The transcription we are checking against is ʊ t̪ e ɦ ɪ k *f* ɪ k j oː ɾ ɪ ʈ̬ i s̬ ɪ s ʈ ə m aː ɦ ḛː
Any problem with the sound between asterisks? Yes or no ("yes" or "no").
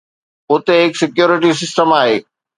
yes